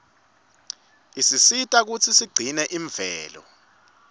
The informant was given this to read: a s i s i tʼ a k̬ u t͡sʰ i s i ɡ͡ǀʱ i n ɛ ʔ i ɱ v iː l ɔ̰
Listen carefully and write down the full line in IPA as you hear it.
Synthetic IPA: i s i s i tʼ a k̬ u t͡sʰ i s i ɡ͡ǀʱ i n ɛ ʔ i ɱ v ɛː l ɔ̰